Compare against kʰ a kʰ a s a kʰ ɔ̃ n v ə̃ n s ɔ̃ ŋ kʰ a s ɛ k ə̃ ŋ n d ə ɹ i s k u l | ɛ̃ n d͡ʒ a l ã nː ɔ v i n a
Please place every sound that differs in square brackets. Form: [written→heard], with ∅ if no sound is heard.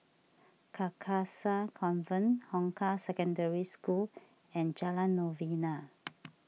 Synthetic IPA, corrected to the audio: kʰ a kʰ a s a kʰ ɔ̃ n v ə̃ n [s→h] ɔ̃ ŋ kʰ a s ɛ k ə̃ [ŋ→∅] n d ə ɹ i s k u l | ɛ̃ n d͡ʒ a l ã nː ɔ v i n a